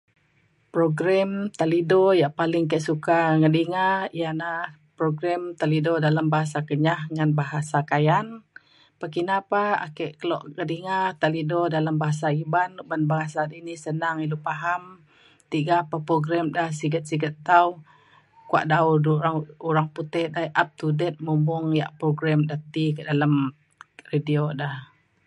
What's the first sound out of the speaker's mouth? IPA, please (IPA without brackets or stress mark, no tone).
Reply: p